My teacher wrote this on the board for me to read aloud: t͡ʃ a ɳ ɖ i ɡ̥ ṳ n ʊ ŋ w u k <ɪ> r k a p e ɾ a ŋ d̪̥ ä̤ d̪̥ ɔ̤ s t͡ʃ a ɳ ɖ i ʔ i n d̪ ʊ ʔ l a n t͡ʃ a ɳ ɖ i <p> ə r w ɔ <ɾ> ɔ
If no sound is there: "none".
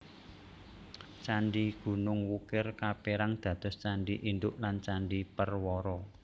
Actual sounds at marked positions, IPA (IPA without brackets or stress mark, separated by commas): ɪ, p, ɾ